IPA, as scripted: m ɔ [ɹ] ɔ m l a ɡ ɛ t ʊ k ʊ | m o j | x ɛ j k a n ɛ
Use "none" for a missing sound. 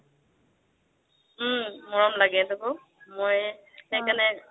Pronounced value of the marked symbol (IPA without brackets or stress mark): ɹ